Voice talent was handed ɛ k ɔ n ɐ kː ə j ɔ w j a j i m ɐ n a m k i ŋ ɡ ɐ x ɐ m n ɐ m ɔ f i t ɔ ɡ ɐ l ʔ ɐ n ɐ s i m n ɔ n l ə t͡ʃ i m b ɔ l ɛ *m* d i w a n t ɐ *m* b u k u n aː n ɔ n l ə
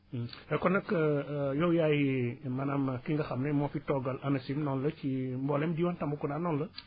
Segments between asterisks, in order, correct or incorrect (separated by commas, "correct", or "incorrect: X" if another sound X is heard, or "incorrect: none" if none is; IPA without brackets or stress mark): correct, correct